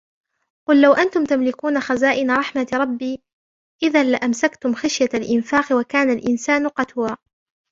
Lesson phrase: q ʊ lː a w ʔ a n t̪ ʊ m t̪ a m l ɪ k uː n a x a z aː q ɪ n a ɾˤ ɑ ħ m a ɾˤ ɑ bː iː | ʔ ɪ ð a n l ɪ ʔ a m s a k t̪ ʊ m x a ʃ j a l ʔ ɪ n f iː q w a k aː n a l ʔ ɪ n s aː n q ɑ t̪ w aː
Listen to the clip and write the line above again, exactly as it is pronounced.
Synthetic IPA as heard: q ʊ lː a w ʔ a n t̪ ʊ m t̪ a m l ɪ k uː n a x a z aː ʔ ɪ n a ɾˤ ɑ ħ m a ɾˤ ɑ bː iː | ʔ ɪ ð a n l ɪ ʔ a m s a k t̪ ʊ m x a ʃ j a l ʔ ɪ n f aː q w a k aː n a l ʔ ɪ n s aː n q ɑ t̪ w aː